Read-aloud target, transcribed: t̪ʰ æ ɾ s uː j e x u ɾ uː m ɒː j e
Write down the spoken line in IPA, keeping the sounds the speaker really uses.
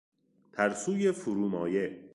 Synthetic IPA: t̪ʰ æ ɾ s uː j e f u ɾ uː m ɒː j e